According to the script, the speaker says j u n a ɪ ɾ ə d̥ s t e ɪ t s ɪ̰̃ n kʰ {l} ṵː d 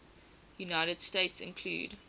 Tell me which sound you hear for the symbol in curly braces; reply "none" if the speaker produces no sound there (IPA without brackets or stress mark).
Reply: l